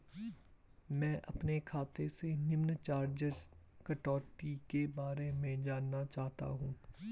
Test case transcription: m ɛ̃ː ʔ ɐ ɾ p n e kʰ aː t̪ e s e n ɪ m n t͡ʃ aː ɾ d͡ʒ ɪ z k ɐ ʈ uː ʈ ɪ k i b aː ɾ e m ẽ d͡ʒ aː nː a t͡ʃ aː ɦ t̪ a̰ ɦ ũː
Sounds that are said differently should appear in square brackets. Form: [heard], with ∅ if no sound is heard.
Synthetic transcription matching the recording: m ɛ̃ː ʔ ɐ [∅] p n e kʰ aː t̪ e s e n ɪ m n t͡ʃ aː ɾ d͡ʒ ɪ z k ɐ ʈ [ɔː] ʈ [i] k [e] b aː ɾ e m ẽ d͡ʒ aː nː a t͡ʃ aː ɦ t̪ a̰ ɦ ũː